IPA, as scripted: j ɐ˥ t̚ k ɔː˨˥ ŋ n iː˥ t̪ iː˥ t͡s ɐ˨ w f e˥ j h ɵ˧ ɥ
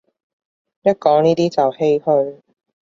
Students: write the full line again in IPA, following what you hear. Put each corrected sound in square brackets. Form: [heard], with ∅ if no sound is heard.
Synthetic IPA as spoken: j ɐ˥ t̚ k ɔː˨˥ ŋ n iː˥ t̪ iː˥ t͡s ɐ˨ w [h] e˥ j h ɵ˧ ɥ